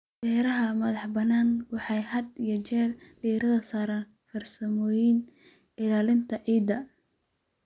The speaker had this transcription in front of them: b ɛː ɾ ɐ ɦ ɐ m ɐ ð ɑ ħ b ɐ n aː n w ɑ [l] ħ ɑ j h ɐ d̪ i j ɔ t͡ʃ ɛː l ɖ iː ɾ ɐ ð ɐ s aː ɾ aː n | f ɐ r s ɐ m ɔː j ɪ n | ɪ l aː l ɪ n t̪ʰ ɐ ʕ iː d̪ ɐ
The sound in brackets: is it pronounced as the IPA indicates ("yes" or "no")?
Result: no